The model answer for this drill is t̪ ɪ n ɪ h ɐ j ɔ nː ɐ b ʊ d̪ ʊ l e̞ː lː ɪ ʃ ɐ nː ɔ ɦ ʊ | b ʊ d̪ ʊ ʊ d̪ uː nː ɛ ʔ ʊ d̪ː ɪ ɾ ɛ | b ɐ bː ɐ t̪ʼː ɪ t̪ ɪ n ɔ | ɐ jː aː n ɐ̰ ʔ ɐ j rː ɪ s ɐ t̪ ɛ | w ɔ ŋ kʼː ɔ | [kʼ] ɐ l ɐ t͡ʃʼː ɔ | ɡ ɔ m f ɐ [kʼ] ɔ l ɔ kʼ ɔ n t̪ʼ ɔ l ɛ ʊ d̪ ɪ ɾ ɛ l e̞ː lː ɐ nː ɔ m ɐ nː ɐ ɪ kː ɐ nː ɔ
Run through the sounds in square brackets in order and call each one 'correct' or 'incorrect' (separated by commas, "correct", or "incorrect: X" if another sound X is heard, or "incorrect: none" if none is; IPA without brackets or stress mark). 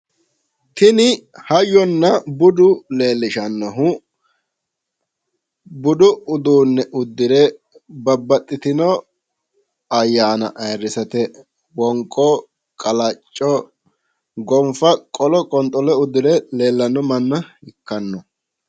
correct, correct